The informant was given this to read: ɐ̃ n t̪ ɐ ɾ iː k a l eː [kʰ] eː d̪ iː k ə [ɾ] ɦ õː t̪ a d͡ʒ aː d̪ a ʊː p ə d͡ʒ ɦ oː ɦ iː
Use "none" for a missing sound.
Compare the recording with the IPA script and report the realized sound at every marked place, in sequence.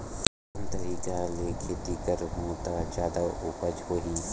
kʰ, ɾ

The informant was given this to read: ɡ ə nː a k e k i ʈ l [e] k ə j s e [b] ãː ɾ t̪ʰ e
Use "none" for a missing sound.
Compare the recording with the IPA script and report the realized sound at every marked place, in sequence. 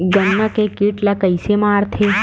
a, m

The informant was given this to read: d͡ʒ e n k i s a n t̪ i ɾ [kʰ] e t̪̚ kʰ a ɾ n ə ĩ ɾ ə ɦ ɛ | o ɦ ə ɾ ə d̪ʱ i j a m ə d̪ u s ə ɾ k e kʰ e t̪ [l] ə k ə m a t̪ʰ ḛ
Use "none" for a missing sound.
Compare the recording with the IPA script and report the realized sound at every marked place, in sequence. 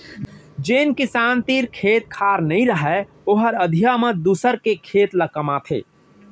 kʰ, l

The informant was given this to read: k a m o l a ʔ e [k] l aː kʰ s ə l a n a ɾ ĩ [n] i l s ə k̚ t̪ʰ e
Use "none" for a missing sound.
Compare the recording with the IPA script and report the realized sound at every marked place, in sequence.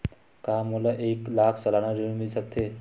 k, m

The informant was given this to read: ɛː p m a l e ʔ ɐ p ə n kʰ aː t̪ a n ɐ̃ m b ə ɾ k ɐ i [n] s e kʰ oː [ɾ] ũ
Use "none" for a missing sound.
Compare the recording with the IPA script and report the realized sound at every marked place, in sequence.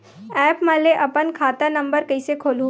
none, l

